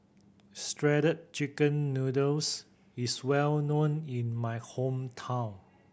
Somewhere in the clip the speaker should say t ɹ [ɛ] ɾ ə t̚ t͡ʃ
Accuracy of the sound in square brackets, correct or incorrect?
correct